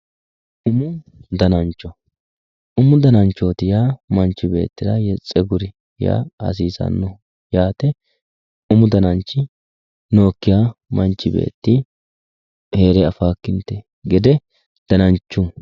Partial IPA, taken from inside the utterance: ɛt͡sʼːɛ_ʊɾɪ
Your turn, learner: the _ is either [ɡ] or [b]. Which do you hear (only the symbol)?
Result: ɡ